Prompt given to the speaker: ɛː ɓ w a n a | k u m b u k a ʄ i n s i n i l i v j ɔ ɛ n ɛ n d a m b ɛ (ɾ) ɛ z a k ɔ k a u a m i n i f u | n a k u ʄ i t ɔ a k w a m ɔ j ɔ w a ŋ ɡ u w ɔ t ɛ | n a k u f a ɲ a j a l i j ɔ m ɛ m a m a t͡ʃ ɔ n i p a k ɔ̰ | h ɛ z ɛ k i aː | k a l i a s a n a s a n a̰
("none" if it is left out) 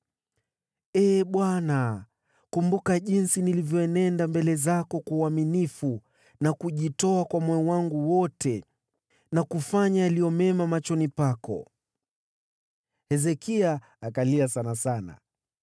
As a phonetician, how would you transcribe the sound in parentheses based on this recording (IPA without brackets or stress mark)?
l